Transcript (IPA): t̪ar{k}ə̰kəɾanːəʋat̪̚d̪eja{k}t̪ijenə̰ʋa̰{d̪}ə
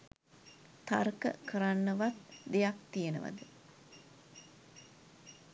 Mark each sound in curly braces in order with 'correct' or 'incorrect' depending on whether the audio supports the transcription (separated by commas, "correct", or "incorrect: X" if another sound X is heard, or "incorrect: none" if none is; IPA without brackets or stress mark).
correct, correct, correct